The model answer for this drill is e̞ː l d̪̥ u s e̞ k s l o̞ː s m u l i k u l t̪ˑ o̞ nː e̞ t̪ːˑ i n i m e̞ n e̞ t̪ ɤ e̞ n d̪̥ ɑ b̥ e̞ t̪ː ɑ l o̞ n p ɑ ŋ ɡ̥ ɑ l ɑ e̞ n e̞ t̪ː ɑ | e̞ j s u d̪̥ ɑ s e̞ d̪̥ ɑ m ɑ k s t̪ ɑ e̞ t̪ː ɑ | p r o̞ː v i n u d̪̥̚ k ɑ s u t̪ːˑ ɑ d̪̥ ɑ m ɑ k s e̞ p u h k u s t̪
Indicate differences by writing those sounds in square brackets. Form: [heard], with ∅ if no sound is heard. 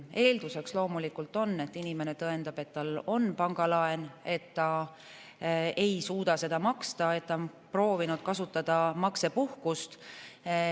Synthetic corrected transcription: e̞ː l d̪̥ u s e̞ k s l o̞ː [∅] m u l i k u l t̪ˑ o̞ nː e̞ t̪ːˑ i n i m e̞ n e̞ t̪ ɤ e̞ n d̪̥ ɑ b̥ e̞ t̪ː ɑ l o̞ n p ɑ ŋ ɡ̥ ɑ l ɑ e̞ n e̞ t̪ː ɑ | e̞ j s [uː] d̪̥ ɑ s e̞ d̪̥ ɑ m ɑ k s t̪ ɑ e̞ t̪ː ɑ | p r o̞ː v i n u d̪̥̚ k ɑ s u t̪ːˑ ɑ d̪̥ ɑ m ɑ k s e̞ p u h k u s t̪

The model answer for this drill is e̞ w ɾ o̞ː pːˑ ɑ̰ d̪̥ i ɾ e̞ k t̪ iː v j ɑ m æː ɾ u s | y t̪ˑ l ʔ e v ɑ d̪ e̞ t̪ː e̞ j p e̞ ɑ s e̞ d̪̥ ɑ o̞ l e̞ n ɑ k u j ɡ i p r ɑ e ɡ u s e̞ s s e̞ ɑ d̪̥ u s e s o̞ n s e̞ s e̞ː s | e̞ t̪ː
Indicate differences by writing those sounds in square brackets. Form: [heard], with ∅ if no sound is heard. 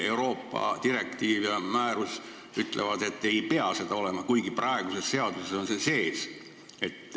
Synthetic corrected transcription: e̞ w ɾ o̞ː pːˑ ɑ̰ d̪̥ i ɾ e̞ k t̪ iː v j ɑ m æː ɾ u s | y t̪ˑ l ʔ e v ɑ d̪ e̞ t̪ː e̞ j p e̞ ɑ s e̞ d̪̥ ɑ o̞ l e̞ [m] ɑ k u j ɡ i p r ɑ e ɡ u s e̞ s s e̞ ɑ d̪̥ u s e s o̞ n s e̞ s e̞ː s | e̞ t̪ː

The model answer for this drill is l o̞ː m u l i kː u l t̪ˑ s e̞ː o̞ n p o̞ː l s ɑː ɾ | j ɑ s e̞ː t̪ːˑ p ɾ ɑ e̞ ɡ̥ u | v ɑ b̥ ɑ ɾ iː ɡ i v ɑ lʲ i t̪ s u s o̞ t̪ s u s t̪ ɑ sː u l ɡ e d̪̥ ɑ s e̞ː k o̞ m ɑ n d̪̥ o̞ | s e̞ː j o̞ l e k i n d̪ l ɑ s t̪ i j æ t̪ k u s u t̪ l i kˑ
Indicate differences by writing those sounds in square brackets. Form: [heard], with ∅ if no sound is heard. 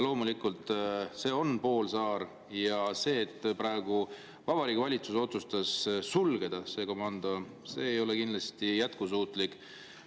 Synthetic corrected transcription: l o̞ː m u l i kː u l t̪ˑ s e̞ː o̞ n p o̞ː l s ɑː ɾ | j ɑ s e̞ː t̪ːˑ p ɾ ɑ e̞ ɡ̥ u | v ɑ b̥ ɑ ɾ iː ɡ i v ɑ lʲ i t̪ s u s o̞ t̪ s u s t̪ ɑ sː u l ɡ e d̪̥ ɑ s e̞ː k o̞ m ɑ n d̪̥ o̞ | s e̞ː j o̞ l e k i n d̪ l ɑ s t̪ i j æ t̪ k u s [uː] t̪ l i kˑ

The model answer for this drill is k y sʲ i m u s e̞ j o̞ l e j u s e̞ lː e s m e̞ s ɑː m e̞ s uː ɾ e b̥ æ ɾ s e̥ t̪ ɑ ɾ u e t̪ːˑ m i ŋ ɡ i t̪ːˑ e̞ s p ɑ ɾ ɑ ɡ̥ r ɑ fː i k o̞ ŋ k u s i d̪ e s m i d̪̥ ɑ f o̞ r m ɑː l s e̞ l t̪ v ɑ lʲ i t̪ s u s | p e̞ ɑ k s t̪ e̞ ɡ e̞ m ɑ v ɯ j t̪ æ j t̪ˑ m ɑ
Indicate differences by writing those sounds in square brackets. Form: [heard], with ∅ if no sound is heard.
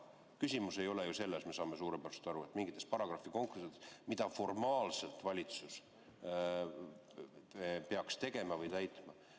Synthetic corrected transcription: k y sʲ i m u s e̞ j o̞ l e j u s e̞ lː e s m e̞ s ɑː m e̞ s uː ɾ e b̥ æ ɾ s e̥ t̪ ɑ ɾ u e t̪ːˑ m i ŋ ɡ i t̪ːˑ e̞ s p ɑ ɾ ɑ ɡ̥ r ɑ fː i k o̞ ŋ k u s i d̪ e s m i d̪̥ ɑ f o̞ r m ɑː l s e̞ l t̪ v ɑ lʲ i t̪ s u s | p e̞ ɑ k s t̪ e̞ ɡ e̞ m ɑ v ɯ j t̪ æ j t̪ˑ m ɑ

